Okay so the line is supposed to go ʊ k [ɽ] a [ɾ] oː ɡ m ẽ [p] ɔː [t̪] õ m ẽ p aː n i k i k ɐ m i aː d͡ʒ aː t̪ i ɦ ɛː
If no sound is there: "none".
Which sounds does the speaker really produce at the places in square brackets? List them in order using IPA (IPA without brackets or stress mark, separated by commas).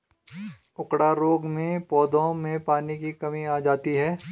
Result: ɽ, ɾ, p, d̪